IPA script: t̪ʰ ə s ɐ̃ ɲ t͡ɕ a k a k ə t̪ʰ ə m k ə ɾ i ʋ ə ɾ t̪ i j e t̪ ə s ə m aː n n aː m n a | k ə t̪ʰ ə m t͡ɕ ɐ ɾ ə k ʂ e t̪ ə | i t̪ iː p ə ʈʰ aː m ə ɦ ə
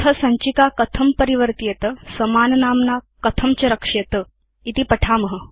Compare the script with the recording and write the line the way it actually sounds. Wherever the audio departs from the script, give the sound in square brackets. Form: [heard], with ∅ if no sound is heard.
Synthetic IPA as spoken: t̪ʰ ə s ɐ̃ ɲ t͡ɕ [i] k a k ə t̪ʰ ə m [p] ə ɾ i ʋ ə ɾ t̪ i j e t̪ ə s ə m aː n n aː m n a | k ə t̪ʰ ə m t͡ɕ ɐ ɾ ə k ʂ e t̪ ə | i t̪ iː p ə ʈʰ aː m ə ɦ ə